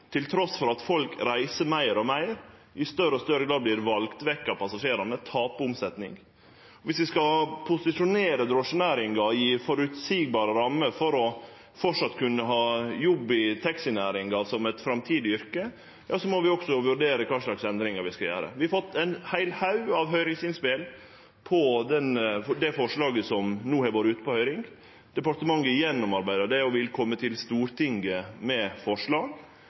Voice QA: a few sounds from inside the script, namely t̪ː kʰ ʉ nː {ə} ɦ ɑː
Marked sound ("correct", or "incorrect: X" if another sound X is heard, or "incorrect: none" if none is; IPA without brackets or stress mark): correct